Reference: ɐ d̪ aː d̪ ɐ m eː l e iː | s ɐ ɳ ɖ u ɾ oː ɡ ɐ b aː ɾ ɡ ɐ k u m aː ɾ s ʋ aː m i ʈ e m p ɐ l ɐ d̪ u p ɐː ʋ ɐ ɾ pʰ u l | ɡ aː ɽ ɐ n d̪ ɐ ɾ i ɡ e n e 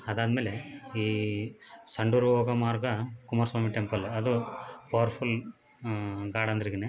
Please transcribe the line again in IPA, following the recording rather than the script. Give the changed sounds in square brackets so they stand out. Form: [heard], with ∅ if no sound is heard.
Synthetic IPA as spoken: ɐ d̪ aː d̪ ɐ m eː l e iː | s ɐ ɳ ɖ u ɾ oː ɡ ɐ [m] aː ɾ ɡ ɐ k u m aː ɾ s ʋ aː m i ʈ e m p ɐ l ɐ d̪ u p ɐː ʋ ɐ ɾ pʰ u l | ɡ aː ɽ ɐ n d̪ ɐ ɾ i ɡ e n e